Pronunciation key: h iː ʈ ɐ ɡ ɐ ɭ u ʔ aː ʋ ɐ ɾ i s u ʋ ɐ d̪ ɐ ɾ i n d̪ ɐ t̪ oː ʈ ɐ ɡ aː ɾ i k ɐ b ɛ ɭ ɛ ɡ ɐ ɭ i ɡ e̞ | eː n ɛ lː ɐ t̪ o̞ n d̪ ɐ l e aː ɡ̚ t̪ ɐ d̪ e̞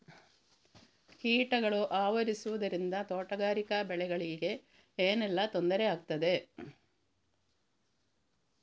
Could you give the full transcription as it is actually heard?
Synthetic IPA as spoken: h iː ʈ ɐ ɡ ɐ ɭ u ʔ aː ʋ ɐ ɾ i s u ʋ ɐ d̪ ɐ ɾ i n d̪ ɐ t̪ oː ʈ ɐ ɡ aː ɾ i k ɐ b ɛ ɭ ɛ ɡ ɐ ɭ i ɡ e̞ | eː n ɛ lː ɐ t̪ o̞ n d̪ ɐ ɾ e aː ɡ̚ t̪ ɐ d̪ e̞